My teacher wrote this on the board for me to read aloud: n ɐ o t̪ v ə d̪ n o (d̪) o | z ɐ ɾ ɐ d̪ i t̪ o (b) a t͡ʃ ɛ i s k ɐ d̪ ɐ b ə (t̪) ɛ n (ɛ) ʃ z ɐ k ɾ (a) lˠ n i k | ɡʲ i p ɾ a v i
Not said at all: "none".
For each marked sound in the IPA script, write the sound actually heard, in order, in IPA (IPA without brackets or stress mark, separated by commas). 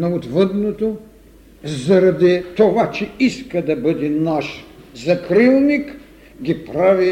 t̪, v, d̪, a, i